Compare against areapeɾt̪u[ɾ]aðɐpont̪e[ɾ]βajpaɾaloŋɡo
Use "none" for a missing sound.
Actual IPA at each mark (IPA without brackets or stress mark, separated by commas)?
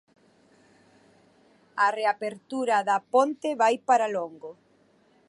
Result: ɾ, none